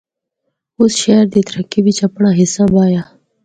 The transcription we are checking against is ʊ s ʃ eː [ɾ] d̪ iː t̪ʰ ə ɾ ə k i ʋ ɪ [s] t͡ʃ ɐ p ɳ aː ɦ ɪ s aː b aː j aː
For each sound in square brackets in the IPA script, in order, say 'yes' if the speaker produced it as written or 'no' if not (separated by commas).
yes, no